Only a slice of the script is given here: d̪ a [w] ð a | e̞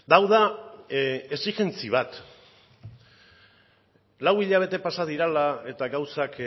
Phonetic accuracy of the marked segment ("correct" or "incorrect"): correct